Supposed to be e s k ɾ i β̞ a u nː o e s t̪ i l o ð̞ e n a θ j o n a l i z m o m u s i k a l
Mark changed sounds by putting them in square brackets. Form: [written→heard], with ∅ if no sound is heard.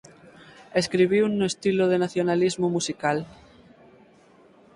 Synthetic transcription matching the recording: e s k ɾ i β̞ [a→i] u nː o e s t̪ i l o ð̞ e n a θ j o n a l i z m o m u s i k a l

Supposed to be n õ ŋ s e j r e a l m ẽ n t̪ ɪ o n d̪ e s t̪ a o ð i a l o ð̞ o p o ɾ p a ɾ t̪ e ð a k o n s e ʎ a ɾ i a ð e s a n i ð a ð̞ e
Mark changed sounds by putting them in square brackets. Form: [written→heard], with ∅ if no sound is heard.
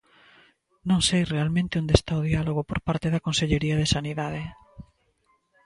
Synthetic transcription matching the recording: n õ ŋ s e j r e a l m ẽ n t̪ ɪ o n d̪ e s t̪ a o ð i a l o [ð̞→ɣ̞] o p o ɾ p a ɾ t̪ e ð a k o n s e ʎ [a→e] ɾ i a ð e s a n i ð a ð̞ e

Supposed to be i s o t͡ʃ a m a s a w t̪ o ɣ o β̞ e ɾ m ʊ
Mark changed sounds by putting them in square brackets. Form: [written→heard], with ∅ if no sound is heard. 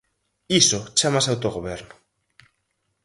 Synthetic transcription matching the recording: i s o t͡ʃ a m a s a w t̪ o ɣ o β̞ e ɾ [m→n] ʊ

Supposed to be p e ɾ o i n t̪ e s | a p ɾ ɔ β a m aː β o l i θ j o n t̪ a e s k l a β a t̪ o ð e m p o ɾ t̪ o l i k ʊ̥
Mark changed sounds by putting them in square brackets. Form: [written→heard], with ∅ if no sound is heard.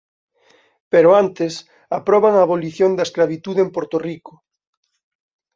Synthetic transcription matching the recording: p e ɾ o [i→a] n t̪ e s | a p ɾ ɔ β a [m→ŋ] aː β o l i θ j o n [t̪→d̪] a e s k l a β [a→i] t̪ [o→u] ð e m p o ɾ t̪ o [l→r] i k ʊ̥

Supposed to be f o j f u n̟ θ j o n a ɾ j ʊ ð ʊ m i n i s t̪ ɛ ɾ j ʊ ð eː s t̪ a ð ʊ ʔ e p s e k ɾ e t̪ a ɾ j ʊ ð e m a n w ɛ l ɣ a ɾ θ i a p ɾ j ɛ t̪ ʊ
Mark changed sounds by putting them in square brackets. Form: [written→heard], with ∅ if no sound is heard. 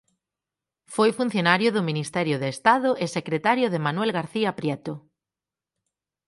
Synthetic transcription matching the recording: f o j f u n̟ θ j o n a ɾ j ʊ ð ʊ m i n i s t̪ ɛ ɾ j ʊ ð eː s t̪ a ð ʊ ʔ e [p→∅] s e k ɾ e t̪ a ɾ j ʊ ð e m a n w ɛ l ɣ a ɾ θ i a p ɾ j ɛ t̪ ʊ

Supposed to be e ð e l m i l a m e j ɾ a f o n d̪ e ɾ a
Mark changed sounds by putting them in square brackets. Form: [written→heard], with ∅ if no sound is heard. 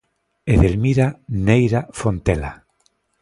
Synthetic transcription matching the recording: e ð e l m i [l→ɾ] a [m→n] e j ɾ a f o n [d̪→t̪] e [ɾ→l] a

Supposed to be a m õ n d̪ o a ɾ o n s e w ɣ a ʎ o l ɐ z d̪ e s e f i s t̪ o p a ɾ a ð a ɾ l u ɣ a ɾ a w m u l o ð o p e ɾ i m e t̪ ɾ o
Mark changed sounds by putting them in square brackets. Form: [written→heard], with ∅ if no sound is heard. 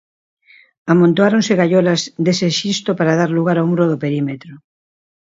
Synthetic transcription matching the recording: a m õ n [d̪→t̪] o a ɾ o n s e [w→∅] ɣ a ʎ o l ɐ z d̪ e s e [f→ʃ] i s t̪ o p a ɾ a ð a ɾ l u ɣ a ɾ a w m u [l→ɾ] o ð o p e ɾ i m e t̪ ɾ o

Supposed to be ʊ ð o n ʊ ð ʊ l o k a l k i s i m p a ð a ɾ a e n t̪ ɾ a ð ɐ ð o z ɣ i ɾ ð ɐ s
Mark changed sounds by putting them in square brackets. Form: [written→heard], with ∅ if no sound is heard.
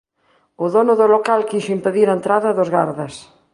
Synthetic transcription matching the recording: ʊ ð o n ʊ ð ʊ l o k a l k i [s→ʃ] i m p [a→e] ð [a→i] ɾ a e n t̪ ɾ a ð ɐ ð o z ɣ [i→a] ɾ ð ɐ s

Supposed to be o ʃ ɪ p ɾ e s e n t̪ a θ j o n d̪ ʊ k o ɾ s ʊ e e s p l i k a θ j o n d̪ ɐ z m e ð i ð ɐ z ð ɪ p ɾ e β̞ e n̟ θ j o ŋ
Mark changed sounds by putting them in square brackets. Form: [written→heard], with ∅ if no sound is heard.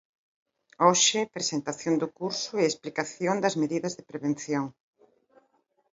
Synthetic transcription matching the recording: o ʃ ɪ p ɾ e s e n t̪ a θ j o n d̪ ʊ k [o→u] ɾ s ʊ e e s p l i k a θ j o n d̪ ɐ z m e ð i ð ɐ z ð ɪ p ɾ e β̞ e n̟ θ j o ŋ

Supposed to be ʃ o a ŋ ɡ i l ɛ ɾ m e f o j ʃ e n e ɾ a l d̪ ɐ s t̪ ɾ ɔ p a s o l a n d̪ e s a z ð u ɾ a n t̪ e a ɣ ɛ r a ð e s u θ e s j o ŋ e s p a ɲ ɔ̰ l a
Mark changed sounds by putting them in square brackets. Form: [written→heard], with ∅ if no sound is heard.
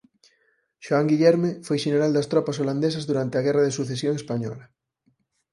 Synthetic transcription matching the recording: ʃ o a ŋ ɡ i [l→ʎ] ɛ ɾ m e f o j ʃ e n e ɾ a l d̪ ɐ s t̪ ɾ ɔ p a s o l a n d̪ e s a z ð u ɾ a n t̪ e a ɣ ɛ r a ð e s u θ e s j o ŋ e s p a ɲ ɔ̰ l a

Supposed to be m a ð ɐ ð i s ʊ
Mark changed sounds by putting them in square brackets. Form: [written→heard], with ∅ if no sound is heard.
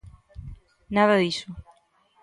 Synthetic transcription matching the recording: [m→n] a ð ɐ ð i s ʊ

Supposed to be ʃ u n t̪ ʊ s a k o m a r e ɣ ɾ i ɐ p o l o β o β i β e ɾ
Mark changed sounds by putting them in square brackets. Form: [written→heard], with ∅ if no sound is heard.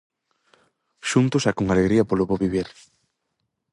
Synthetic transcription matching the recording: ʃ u n t̪ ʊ s a k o [m→ŋ] a [r→l] e ɣ ɾ i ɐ p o l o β o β i β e ɾ

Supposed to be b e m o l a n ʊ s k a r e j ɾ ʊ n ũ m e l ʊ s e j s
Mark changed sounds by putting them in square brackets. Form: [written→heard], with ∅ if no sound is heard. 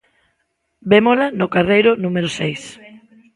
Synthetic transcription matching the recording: b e m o l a n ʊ [s→∅] k a r e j ɾ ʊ n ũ m e [l→ɾ] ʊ s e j s

